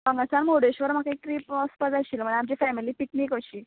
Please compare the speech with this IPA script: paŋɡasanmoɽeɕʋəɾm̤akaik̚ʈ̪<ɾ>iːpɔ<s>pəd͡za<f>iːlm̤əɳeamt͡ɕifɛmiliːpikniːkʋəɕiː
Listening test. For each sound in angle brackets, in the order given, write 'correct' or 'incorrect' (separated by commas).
correct, correct, incorrect